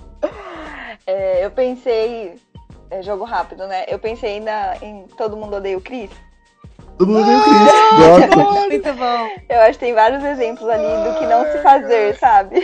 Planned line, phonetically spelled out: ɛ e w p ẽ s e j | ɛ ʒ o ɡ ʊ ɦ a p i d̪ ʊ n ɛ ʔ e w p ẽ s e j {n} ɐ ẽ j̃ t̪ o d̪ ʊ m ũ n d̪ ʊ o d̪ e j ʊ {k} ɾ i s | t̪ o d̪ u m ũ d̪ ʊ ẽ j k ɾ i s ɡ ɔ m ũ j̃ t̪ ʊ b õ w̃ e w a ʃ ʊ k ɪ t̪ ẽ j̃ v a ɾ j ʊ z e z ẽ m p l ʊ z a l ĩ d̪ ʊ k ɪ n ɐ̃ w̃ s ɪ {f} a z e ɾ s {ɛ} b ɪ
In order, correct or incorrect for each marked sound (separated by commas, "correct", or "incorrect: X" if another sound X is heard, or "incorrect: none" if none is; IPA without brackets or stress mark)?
correct, correct, correct, incorrect: a